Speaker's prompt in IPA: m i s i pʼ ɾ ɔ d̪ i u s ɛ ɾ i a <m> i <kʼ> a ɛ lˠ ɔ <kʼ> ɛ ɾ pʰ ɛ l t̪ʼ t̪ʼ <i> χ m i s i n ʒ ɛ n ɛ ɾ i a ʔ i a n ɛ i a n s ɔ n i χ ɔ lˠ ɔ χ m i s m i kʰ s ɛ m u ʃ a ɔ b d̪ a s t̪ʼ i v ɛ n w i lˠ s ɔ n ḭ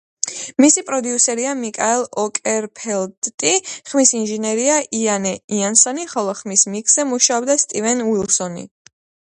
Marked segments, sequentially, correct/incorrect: correct, correct, correct, correct

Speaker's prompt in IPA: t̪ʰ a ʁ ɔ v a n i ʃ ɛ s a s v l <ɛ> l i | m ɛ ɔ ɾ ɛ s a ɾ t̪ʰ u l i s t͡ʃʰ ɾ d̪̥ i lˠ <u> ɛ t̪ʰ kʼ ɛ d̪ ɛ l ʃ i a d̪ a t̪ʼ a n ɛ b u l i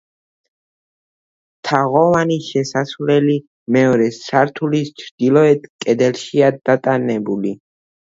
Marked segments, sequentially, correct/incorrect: correct, incorrect: ɔ

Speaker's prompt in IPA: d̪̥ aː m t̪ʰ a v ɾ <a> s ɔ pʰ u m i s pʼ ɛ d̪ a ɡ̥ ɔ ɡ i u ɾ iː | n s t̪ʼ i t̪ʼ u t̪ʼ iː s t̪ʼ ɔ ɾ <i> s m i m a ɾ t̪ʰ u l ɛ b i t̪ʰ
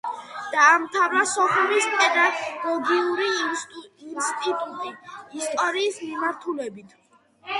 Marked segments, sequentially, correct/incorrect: correct, incorrect: iː

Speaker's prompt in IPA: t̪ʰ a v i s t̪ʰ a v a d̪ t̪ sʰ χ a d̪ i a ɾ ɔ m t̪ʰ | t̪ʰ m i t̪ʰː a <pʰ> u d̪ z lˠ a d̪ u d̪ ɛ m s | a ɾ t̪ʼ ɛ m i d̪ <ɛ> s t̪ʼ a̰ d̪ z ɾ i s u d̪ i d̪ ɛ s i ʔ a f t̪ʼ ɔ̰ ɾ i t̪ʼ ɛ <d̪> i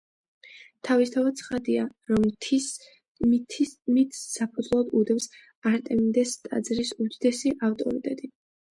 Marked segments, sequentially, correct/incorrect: correct, correct, correct

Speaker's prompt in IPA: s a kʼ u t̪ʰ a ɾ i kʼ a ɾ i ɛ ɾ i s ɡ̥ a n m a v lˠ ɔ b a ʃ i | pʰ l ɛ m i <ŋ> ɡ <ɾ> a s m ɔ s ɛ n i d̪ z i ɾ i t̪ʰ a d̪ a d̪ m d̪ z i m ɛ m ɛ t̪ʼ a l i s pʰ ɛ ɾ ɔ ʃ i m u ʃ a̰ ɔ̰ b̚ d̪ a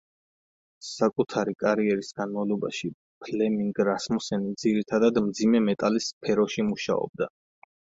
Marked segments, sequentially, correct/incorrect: correct, correct

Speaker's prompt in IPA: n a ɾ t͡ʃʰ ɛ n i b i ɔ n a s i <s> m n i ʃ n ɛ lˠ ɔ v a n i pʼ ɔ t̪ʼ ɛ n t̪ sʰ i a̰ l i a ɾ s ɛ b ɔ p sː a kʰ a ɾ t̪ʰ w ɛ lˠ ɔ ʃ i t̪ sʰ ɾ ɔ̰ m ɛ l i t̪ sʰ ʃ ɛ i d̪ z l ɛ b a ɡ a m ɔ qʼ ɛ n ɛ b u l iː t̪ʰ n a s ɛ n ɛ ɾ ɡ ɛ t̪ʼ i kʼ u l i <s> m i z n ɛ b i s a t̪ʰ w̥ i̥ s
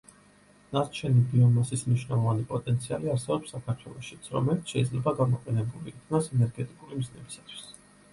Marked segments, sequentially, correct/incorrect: correct, incorrect: none

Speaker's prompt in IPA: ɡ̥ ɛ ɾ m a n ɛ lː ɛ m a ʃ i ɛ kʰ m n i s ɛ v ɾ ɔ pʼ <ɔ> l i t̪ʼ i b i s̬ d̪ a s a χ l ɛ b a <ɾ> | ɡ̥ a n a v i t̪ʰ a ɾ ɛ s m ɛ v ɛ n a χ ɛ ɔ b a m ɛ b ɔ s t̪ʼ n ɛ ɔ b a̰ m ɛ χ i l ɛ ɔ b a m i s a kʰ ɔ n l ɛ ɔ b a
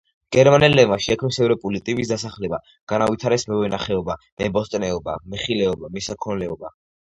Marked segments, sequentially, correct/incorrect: incorrect: u, incorrect: none

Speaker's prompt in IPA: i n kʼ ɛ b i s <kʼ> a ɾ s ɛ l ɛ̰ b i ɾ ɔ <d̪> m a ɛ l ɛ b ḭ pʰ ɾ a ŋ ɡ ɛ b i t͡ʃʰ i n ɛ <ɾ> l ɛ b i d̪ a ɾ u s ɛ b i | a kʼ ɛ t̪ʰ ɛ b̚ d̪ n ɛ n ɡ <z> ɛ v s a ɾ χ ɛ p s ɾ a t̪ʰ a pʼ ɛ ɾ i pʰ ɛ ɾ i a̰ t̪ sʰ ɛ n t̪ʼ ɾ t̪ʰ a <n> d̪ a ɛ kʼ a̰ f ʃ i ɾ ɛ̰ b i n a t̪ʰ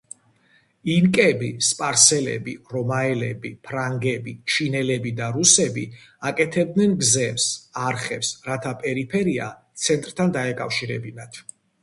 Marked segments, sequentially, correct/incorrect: incorrect: pʼ, incorrect: none, incorrect: none, correct, correct

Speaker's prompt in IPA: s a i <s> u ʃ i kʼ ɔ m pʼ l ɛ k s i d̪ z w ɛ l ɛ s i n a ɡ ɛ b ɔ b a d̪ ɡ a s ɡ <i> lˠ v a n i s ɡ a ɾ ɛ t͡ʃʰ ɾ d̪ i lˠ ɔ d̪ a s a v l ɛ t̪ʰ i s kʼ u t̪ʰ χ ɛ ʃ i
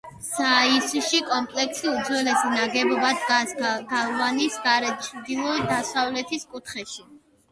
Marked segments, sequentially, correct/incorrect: correct, incorrect: a

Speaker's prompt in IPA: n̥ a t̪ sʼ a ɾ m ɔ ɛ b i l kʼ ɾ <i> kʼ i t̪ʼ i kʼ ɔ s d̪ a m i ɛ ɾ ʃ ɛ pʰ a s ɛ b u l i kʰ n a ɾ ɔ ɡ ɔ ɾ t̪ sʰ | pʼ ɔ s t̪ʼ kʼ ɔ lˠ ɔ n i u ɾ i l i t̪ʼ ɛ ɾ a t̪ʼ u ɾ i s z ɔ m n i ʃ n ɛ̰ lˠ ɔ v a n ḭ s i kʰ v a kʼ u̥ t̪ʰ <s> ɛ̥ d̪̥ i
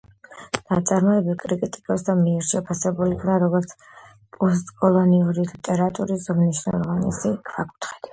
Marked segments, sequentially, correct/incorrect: correct, incorrect: χ

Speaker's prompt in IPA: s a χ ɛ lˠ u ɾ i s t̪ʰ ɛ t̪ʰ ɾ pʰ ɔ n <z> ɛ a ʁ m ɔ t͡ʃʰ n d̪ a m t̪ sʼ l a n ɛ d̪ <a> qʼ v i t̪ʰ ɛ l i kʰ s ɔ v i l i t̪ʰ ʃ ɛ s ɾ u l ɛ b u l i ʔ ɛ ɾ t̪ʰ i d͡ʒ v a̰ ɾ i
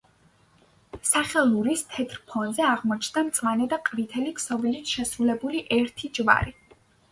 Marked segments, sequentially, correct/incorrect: correct, correct

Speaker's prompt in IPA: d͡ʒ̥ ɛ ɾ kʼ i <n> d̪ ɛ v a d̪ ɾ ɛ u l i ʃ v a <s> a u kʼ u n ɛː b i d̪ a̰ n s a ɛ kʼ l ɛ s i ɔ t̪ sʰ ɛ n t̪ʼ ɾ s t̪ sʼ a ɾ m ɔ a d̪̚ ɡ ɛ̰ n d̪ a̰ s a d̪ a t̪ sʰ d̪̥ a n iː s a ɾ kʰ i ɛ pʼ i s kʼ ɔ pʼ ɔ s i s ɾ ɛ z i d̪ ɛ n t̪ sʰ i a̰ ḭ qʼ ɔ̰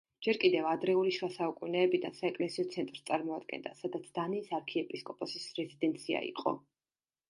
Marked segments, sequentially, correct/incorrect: incorrect: none, correct

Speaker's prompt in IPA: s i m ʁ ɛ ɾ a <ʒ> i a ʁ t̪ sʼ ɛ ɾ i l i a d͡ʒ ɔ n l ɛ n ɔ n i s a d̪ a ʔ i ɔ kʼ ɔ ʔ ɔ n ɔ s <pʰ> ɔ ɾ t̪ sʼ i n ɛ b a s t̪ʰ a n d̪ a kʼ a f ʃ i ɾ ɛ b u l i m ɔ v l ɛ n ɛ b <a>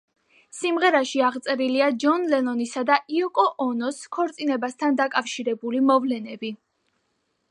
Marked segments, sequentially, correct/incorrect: incorrect: ʃ, incorrect: kʰ, incorrect: i

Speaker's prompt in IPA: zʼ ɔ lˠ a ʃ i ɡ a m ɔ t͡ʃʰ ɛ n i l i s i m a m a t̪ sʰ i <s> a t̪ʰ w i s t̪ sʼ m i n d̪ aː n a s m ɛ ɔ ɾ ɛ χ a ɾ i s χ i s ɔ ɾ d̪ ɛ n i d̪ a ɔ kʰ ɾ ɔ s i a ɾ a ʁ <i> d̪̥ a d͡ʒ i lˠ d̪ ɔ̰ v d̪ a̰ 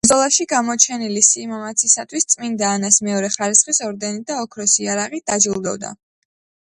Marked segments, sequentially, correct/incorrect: correct, correct

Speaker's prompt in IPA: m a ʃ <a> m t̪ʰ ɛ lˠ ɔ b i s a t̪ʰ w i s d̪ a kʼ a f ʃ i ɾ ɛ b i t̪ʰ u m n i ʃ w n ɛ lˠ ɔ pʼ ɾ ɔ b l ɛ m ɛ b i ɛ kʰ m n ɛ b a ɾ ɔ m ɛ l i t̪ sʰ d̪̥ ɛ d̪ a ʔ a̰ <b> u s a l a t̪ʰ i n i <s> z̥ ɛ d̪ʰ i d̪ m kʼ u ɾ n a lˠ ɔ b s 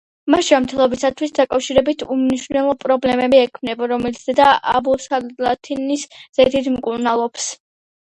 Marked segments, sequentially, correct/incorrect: correct, correct, correct

